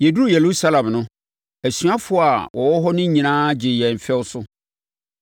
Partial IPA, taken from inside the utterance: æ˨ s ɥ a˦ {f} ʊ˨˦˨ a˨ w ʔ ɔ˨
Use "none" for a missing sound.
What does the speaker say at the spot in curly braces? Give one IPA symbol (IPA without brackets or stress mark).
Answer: f